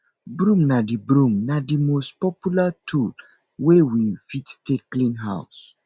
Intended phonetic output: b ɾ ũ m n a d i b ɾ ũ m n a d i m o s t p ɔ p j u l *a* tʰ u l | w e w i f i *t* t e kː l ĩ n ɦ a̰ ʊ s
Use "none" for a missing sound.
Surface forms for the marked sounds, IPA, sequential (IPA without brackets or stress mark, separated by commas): a, t